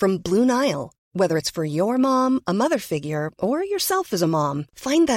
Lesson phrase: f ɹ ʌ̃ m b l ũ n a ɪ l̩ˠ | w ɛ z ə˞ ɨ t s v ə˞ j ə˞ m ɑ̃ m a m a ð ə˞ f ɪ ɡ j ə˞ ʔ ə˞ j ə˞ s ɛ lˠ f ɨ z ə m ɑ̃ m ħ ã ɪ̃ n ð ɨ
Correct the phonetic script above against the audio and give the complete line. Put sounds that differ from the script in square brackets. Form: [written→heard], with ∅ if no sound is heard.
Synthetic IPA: f ɹ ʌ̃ m b l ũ n a ɪ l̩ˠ | w ɛ [z→ð] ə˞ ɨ t s [v→f] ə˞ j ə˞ m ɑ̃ m [a→ə] m [a→ʌ] ð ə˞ f ɪ ɡ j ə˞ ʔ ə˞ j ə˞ s ɛ lˠ f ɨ z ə m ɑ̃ m [ħ→f] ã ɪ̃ n ð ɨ